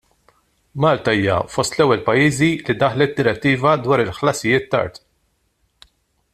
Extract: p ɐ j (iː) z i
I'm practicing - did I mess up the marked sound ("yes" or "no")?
no